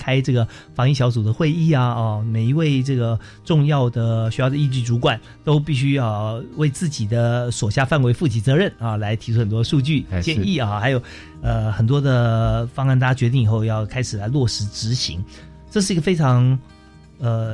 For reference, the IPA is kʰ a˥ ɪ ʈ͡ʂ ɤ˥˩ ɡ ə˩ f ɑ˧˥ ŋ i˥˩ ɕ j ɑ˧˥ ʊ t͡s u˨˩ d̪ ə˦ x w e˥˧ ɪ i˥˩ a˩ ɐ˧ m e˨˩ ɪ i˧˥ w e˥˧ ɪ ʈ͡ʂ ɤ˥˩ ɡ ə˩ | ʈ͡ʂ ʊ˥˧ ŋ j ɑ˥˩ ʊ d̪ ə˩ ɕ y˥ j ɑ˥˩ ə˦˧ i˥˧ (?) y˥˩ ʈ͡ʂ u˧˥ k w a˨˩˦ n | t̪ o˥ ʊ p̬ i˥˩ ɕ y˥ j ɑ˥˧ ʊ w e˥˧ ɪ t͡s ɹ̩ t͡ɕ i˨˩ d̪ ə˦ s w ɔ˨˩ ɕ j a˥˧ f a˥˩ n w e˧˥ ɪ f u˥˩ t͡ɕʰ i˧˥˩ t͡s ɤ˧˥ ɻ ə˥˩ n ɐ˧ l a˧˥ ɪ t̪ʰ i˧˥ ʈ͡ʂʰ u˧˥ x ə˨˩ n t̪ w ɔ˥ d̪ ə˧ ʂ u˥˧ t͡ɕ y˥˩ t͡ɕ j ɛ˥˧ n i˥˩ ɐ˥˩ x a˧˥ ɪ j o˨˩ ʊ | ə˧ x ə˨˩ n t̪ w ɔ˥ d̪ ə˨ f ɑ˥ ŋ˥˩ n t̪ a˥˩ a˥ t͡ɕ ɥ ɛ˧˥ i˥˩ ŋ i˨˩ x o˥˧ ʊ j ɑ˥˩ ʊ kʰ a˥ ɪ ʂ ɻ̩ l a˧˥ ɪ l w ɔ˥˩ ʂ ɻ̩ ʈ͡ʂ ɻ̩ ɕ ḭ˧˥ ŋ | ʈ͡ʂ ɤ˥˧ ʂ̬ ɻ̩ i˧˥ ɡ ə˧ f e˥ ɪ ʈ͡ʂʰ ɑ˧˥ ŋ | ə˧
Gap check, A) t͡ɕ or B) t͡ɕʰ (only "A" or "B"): A